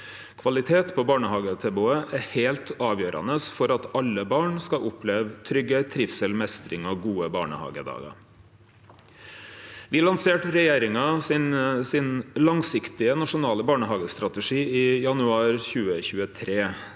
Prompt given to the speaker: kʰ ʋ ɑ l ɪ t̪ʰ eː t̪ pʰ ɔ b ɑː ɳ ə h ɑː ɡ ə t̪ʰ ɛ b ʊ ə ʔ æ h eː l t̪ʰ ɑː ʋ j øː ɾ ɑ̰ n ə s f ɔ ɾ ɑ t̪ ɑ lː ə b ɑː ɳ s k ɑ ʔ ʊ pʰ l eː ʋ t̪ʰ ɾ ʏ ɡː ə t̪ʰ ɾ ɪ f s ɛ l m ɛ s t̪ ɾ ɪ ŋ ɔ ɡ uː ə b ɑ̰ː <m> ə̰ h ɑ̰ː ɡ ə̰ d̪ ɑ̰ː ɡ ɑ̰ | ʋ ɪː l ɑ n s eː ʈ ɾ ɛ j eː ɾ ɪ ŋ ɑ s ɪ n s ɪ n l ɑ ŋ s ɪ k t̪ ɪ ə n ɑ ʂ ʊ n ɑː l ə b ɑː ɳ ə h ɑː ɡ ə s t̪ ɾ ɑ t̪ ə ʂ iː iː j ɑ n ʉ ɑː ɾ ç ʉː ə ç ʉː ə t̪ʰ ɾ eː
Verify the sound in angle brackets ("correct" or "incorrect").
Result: incorrect